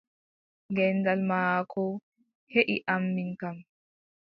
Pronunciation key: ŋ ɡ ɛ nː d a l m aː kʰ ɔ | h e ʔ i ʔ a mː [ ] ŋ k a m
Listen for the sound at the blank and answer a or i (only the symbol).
i